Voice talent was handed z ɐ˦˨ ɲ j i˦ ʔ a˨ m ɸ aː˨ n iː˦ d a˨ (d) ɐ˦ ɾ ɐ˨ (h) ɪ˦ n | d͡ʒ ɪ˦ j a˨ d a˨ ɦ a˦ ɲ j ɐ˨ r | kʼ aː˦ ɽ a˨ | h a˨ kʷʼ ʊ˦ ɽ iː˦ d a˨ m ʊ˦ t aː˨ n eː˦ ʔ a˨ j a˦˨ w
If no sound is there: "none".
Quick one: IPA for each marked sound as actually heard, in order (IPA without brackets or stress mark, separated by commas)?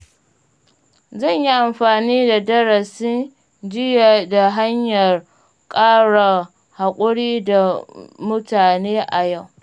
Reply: d, s